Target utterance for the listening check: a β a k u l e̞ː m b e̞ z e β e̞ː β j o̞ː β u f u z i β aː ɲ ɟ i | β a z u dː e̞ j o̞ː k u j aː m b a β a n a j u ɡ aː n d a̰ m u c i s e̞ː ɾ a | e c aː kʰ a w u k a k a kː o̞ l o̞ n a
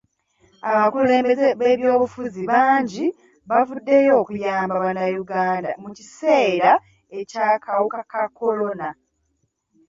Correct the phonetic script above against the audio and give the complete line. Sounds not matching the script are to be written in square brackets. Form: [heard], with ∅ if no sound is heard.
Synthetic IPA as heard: a β a k u l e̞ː m b e̞ z e β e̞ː β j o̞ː β u f u z i β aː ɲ ɟ i | β a [v] u dː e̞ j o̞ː k u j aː m b a β a n a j u ɡ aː n d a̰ m u c i s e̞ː ɾ a | e c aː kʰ a w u k a k a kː o̞ l o̞ n a